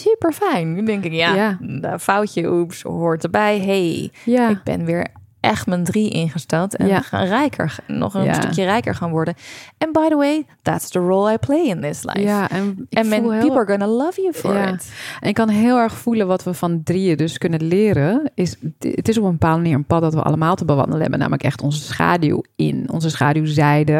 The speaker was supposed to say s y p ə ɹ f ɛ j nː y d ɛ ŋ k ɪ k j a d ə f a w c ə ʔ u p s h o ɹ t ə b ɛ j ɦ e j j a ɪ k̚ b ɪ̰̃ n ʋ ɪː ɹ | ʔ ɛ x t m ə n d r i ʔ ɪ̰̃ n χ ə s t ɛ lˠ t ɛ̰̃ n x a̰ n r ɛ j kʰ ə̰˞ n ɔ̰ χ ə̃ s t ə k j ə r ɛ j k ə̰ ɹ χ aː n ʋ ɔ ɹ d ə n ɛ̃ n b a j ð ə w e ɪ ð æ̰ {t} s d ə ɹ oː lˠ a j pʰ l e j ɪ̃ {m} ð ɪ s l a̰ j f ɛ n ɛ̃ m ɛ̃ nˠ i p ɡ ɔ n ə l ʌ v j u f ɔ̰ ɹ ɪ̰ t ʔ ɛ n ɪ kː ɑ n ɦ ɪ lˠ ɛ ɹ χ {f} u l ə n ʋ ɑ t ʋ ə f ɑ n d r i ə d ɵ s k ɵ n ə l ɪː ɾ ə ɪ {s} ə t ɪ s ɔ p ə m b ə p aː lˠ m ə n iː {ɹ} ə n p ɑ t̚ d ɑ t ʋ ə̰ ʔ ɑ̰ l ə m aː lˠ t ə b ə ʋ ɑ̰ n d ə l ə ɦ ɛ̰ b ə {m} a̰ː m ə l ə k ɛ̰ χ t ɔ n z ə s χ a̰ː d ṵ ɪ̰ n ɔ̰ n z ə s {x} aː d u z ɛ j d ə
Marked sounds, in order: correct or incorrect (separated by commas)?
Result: correct, incorrect, correct, correct, correct, incorrect, incorrect